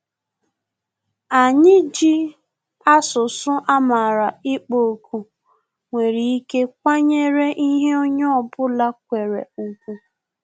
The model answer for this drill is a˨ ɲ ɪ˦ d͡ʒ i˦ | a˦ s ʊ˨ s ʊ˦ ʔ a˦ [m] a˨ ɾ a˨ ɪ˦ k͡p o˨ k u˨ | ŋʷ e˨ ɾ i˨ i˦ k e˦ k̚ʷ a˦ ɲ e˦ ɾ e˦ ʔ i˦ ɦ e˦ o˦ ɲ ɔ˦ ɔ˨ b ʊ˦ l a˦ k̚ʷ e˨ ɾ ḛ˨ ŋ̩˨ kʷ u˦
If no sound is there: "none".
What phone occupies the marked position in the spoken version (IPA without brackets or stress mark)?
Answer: m